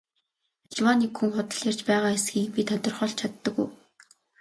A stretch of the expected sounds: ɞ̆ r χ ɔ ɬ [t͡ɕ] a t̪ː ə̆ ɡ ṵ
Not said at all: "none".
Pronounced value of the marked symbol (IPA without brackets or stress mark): t͡ɕʰ